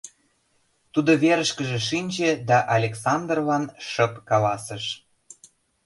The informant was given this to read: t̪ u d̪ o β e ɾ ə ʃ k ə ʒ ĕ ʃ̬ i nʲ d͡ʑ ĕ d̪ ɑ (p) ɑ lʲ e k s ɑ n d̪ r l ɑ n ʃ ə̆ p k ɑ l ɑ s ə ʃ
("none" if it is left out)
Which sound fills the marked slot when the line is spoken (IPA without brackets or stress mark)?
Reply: ʔ